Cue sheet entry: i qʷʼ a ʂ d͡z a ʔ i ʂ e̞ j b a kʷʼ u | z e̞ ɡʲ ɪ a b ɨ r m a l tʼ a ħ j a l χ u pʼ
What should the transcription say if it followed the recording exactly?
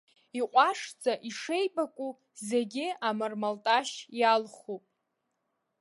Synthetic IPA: i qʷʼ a ʂ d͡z a ʔ i ʂ e̞ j b a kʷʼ u | z e̞ ɡʲ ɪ a m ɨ r m a l tʼ a ʃ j a l χ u pʼ